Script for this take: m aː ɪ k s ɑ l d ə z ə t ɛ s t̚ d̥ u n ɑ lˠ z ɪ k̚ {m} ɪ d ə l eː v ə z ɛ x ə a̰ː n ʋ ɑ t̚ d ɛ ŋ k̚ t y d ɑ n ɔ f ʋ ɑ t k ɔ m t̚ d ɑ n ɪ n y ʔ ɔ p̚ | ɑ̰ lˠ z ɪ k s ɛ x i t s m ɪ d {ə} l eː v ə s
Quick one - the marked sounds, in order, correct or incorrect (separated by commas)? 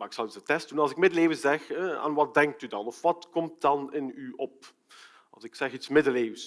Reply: correct, correct